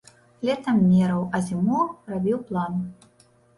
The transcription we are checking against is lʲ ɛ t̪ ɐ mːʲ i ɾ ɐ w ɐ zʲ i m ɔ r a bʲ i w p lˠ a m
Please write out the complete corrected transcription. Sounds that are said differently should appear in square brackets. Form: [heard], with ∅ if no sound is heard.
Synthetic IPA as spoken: lʲ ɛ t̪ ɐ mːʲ [ɛ] ɾ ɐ w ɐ zʲ i m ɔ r a bʲ i w p lˠ a [n]